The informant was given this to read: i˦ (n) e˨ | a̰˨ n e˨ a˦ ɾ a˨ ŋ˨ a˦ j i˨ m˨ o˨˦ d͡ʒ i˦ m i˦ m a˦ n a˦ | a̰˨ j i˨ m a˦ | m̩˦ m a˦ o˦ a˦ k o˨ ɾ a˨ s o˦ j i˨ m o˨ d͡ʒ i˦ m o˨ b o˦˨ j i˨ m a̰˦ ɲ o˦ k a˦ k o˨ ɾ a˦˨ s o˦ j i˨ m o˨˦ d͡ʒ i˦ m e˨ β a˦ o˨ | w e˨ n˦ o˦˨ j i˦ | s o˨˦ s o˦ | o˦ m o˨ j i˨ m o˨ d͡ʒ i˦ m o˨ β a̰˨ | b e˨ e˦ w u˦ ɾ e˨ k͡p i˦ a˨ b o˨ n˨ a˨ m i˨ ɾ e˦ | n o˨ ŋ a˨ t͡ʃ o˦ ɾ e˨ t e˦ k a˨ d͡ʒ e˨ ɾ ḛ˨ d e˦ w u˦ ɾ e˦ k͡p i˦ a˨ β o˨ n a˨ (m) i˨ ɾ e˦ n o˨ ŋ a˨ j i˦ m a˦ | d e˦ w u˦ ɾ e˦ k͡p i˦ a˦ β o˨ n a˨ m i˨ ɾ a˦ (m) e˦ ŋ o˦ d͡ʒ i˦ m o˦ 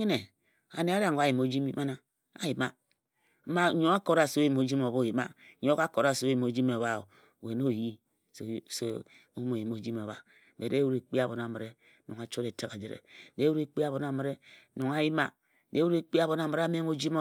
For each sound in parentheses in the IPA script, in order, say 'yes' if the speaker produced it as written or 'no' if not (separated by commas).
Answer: yes, yes, yes